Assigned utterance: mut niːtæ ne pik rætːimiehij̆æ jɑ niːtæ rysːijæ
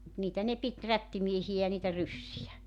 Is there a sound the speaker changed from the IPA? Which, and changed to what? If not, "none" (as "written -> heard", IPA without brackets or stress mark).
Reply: k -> t